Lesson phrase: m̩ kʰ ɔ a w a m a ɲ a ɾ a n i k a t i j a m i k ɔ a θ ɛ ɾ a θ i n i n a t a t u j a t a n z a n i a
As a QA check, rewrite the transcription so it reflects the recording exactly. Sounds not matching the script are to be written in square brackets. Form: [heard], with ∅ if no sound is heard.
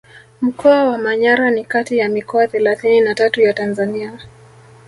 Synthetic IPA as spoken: m̩ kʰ ɔ a w a m a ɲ a ɾ a n i k a t i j a m i k ɔ a θ ɛ [l] a θ i n i n a t a t u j a t a n z a n i a